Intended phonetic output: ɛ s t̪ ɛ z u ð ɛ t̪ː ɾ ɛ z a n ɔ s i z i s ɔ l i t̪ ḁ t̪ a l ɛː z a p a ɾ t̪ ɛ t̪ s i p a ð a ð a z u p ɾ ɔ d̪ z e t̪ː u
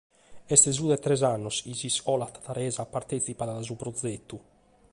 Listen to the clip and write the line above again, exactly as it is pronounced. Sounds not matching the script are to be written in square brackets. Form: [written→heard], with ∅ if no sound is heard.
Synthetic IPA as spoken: ɛ s t̪ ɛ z u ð ɛ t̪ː ɾ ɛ z a [n→nː] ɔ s i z i s ɔ l [i→a] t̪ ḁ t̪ a [l→ɾ] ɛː z a p a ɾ t̪ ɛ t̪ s i p a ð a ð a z u p ɾ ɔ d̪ z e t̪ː u